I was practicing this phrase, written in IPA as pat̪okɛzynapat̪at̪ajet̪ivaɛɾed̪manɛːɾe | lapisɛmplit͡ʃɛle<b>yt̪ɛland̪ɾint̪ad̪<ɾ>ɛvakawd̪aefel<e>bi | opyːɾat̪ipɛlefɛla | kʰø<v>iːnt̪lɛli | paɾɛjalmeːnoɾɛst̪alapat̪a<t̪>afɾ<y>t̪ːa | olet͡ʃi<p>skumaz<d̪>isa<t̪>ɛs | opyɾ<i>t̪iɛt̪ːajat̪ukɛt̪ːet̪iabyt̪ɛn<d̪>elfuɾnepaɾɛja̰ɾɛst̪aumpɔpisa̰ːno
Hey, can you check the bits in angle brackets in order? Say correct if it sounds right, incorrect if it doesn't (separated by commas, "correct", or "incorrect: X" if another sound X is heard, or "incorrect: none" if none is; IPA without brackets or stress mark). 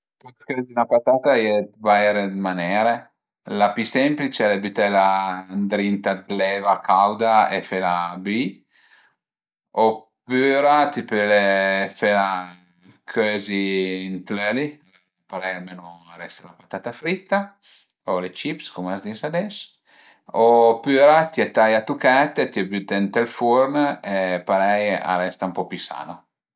correct, incorrect: l, incorrect: a, incorrect: z, correct, incorrect: i, correct, correct, incorrect: d̪, incorrect: a, incorrect: t̪